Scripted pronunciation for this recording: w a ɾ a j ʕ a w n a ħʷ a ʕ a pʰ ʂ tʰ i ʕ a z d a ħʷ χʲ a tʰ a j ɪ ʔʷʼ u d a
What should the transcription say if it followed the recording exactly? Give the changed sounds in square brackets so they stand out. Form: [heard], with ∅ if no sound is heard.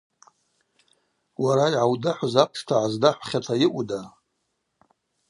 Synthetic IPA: w a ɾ a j ʕ a w [d] a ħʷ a [z] a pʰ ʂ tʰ [a] ʕ a z d a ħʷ χʲ a tʰ a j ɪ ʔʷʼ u d a